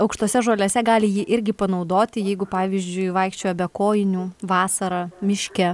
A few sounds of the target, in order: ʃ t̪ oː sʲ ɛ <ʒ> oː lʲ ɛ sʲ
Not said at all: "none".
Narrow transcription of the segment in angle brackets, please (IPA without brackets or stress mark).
ʒ